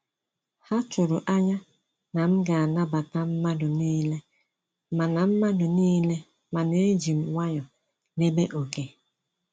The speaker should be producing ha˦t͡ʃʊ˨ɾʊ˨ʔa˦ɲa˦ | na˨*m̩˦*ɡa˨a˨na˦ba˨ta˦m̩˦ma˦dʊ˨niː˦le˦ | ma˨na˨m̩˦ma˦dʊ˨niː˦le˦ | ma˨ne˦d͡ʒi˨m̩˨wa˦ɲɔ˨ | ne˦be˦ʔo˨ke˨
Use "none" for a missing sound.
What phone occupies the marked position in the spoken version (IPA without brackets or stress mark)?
m̩˦